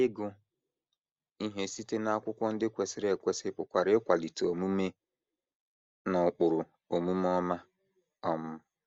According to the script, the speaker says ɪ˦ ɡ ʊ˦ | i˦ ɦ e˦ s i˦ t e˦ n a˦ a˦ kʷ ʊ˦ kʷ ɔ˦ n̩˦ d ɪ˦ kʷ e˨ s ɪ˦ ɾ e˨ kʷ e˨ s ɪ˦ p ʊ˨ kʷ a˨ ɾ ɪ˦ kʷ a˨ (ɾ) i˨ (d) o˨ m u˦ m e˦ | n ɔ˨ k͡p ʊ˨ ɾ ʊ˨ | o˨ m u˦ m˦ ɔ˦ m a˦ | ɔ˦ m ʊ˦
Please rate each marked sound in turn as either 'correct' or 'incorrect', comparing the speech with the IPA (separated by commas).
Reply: incorrect, incorrect